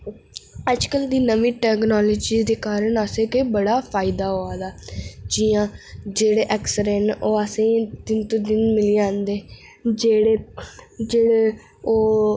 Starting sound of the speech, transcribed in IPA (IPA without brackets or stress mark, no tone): ə